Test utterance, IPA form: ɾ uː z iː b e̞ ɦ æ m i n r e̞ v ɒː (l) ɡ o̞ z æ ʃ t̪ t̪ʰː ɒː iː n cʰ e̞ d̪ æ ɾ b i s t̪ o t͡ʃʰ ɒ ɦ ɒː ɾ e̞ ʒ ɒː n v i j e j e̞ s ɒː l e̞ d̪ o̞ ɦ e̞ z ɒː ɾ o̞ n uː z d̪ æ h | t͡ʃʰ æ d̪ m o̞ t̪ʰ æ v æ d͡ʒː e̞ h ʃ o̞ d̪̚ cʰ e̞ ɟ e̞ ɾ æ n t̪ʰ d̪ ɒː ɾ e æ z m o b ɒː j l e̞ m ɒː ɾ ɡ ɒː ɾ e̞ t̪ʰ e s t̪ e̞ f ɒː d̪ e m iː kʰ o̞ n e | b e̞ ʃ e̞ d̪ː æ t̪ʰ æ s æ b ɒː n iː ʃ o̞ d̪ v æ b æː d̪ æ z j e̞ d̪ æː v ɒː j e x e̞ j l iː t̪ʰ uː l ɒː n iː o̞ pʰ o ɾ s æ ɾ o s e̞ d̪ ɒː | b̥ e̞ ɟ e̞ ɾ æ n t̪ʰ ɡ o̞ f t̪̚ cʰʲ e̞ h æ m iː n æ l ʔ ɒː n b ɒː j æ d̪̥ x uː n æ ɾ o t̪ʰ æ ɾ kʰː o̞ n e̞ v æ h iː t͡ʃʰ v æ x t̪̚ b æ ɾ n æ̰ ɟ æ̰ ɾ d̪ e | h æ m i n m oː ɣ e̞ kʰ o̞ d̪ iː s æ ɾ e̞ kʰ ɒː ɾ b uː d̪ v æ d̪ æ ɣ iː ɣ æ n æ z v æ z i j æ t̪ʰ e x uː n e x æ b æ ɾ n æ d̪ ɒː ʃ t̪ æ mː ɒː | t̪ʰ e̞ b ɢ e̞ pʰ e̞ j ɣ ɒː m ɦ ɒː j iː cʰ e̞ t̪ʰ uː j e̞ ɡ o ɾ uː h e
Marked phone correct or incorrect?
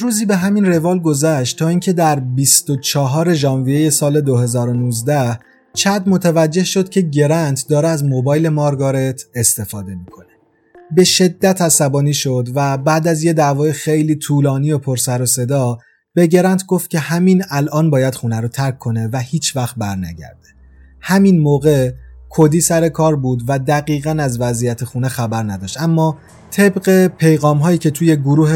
correct